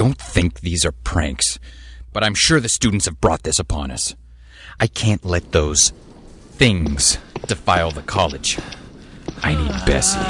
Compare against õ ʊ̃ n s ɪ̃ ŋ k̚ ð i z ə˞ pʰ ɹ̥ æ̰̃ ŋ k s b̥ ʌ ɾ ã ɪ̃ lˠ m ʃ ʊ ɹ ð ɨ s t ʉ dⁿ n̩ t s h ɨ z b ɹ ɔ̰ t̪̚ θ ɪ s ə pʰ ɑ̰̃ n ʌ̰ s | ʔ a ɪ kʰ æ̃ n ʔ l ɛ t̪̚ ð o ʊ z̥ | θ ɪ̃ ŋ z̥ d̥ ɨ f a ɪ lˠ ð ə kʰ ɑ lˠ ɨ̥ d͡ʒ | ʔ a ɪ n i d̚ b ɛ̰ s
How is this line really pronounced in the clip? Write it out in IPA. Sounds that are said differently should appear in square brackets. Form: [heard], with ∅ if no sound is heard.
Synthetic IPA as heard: õ ʊ̃ n [θ] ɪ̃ ŋ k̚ ð i z ə˞ pʰ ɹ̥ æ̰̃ ŋ k s b̥ ʌ ɾ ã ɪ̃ [∅] m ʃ ʊ ɹ ð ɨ s t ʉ dⁿ n̩ t s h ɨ [v] b ɹ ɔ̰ t̪̚ [ð] ɪ s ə pʰ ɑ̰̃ n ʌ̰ s | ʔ a ɪ kʰ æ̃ n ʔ l ɛ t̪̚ ð o ʊ z̥ | θ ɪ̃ ŋ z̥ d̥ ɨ f a ɪ lˠ ð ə kʰ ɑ lˠ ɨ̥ d͡ʒ | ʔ a ɪ n i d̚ b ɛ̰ s